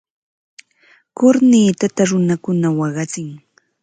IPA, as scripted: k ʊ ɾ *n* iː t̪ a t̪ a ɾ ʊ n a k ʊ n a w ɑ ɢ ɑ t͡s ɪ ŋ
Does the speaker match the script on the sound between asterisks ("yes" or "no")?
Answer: yes